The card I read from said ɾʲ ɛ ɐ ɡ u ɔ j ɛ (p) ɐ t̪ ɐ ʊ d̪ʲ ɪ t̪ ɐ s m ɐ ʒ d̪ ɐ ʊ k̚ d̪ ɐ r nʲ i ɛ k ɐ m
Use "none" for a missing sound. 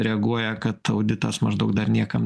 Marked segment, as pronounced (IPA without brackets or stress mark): k